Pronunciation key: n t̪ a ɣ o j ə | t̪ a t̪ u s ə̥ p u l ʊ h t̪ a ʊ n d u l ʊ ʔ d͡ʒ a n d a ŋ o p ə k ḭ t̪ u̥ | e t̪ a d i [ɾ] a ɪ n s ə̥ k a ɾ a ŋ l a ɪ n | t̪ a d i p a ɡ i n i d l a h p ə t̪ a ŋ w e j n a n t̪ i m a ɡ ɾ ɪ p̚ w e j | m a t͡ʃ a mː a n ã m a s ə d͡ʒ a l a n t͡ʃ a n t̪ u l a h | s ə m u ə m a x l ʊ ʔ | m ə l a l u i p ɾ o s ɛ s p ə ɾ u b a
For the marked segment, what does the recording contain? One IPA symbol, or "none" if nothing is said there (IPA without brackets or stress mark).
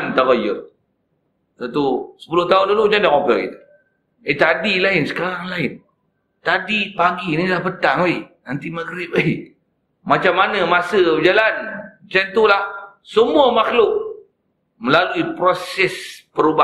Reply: l